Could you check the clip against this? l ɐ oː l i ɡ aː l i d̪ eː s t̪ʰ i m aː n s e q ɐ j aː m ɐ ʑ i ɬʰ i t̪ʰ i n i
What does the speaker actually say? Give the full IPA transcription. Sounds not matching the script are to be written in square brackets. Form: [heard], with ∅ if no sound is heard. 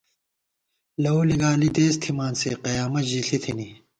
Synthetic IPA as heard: l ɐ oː l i ɡ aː l i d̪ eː s t̪ʰ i m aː n s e q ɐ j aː m ɐ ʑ i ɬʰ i t̪ʰ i n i